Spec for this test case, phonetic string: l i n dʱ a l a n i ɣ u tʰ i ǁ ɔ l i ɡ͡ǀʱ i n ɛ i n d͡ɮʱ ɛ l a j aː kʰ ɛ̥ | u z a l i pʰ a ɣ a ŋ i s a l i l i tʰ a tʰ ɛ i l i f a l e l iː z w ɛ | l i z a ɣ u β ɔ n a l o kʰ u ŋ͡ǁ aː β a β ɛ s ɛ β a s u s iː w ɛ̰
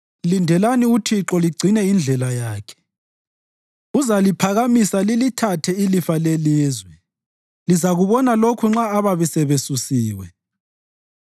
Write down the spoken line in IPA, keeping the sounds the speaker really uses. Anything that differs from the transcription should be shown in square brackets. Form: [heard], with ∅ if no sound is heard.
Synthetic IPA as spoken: l i n dʱ [ɛ] l a n i [∅] u tʰ i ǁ ɔ l i ɡ͡ǀʱ i n ɛ i n d͡ɮʱ ɛ l a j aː kʰ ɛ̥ | u z a l i pʰ a ɣ a [m] i s a l i l i tʰ a tʰ ɛ i l i f a l e l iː z w ɛ | l i z a ɣ u β ɔ n a l o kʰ u ŋ͡ǁ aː β a β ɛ s ɛ β [e] s u s iː w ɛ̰